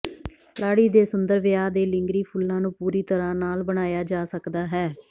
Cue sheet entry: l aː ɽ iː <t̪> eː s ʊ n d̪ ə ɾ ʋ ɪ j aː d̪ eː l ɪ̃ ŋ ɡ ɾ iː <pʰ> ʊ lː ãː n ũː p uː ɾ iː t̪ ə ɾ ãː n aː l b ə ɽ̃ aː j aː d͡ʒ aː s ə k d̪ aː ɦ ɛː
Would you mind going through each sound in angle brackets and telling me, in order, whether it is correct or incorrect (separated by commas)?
incorrect, correct